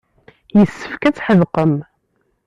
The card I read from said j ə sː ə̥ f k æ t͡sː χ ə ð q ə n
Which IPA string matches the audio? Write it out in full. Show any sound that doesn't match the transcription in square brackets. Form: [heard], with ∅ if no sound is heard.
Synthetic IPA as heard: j ə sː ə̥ f k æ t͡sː [ħ] ə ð q ə [m]